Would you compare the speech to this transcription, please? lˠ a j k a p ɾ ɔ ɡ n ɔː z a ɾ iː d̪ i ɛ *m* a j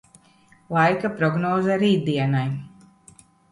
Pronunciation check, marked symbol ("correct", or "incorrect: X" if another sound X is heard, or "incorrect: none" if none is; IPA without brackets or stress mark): incorrect: n